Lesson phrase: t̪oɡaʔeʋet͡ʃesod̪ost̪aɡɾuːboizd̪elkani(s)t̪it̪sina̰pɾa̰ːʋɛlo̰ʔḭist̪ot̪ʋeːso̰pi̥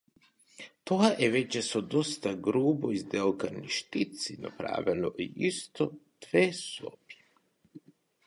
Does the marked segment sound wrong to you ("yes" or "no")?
yes